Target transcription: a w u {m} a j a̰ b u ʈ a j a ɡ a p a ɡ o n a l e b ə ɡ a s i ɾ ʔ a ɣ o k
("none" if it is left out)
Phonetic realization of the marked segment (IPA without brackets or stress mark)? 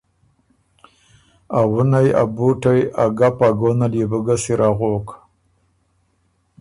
n